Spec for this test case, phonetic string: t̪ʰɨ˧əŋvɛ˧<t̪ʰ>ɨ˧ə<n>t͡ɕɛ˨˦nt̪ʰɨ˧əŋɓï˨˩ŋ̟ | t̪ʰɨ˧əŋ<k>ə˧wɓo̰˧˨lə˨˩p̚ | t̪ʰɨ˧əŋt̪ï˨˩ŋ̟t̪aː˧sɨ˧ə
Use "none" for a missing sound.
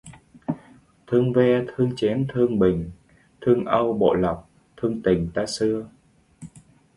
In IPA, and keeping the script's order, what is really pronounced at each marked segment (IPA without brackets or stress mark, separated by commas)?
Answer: t̪ʰ, ŋ, ʔ